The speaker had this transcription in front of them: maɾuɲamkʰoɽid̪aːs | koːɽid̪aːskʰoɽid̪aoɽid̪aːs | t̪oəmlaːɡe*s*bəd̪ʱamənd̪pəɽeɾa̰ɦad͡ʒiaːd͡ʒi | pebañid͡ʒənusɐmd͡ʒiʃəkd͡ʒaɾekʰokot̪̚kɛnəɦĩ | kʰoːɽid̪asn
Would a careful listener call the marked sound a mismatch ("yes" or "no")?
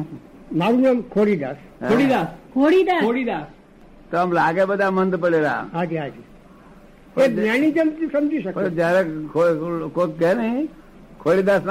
yes